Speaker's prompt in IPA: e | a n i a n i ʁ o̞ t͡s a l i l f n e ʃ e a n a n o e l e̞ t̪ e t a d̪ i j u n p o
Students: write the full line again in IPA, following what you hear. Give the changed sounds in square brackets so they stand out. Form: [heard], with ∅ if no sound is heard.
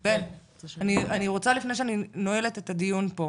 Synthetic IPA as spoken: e | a n i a n i ʁ o̞ t͡s a l i [∅] f n e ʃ e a n [i] n o e l e̞ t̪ e t a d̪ i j u n p o